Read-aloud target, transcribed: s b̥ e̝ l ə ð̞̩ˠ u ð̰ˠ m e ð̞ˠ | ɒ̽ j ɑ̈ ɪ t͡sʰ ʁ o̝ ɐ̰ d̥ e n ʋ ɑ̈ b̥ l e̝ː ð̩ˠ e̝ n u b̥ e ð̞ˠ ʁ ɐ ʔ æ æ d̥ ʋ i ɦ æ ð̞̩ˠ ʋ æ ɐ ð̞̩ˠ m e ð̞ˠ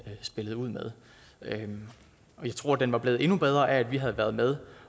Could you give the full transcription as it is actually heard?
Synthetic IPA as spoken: s b̥ e̝ l ə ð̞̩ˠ u ð̰ˠ m e ð̞ˠ | ɒ̽ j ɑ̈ ɪ t͡sʰ ʁ o̝ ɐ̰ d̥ e n ʋ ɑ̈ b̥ l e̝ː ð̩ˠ e̝ n u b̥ e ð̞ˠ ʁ ɐ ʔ æ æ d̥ ʋ i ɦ æ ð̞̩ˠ ʋ æ ɐ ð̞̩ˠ m e ð̞ˠ